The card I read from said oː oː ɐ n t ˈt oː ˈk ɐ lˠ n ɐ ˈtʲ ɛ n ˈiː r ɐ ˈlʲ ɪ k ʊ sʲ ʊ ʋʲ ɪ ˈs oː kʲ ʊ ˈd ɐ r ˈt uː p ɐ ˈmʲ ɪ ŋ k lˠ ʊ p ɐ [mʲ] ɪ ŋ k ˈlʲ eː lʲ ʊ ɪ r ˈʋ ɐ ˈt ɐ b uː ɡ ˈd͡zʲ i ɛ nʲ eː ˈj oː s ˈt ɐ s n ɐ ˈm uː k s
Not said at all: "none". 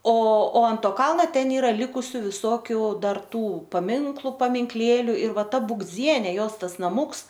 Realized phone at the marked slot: mʲ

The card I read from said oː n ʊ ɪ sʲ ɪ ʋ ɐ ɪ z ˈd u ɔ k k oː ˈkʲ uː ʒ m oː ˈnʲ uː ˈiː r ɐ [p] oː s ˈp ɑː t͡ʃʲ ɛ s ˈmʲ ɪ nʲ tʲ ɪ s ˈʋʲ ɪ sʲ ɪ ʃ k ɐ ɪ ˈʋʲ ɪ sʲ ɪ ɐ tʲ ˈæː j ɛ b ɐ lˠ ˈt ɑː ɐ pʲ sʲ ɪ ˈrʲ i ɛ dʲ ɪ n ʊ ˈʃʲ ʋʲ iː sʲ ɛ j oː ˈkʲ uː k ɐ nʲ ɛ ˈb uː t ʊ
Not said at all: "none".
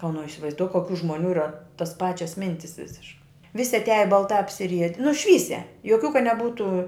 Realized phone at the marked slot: t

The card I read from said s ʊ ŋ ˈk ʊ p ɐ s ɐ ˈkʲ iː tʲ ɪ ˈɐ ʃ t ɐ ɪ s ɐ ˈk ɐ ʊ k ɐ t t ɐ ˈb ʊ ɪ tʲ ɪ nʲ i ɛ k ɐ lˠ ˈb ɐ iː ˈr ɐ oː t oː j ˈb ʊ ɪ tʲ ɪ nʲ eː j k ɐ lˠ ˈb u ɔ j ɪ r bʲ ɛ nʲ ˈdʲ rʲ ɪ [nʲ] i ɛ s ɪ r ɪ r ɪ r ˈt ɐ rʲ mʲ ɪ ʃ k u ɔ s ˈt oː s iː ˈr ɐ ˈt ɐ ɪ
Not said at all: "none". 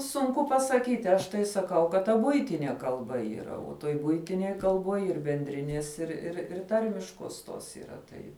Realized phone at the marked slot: nʲ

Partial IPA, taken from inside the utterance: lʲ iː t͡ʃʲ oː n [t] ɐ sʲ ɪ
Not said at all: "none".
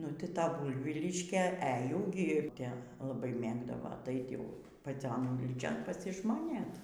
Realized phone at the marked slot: p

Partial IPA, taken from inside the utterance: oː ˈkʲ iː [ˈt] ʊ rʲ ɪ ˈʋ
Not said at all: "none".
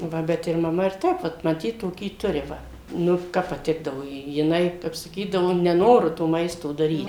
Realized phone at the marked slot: t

